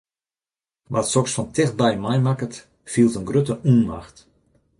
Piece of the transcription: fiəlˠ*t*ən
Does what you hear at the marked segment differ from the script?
no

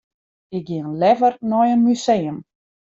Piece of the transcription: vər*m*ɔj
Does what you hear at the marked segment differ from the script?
yes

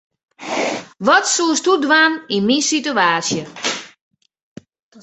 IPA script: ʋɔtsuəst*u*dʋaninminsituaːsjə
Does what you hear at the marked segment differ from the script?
no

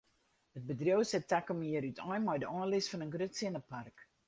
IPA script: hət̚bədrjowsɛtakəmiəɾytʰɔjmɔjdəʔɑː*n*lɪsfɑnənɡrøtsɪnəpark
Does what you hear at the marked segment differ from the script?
no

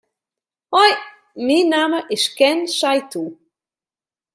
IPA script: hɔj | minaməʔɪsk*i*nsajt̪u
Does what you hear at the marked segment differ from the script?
yes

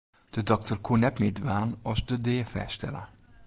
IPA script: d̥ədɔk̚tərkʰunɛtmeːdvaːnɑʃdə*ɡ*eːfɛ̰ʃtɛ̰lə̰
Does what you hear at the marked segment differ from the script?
yes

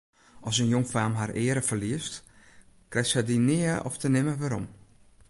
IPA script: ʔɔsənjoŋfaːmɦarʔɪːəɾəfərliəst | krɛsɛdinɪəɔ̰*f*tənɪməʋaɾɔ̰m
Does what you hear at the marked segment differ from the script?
no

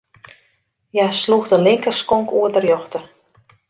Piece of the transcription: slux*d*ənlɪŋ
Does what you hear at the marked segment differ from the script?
no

